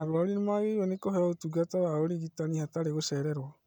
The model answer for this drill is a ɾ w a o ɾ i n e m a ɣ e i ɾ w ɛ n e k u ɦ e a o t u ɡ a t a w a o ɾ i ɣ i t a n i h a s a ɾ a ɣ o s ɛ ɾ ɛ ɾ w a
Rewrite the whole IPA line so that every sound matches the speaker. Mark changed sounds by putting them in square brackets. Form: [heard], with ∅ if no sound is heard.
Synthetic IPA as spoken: a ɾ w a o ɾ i n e m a ɣ e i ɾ w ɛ n e k [o] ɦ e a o t u ɡ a t a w a o ɾ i ɣ i t a n i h a [t] a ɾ [e] ɣ o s ɛ ɾ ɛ ɾ w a